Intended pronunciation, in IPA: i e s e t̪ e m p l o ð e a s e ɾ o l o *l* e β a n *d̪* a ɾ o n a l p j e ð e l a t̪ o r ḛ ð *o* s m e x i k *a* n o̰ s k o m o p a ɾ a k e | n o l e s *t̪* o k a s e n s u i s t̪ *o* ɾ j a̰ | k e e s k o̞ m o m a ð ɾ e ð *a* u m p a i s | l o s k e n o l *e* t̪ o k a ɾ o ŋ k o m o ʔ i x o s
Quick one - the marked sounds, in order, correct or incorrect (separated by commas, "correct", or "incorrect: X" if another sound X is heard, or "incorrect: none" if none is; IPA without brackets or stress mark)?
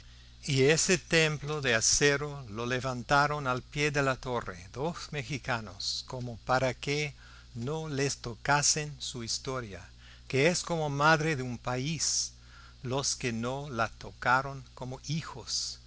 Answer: correct, incorrect: t̪, correct, correct, correct, correct, incorrect: e, incorrect: a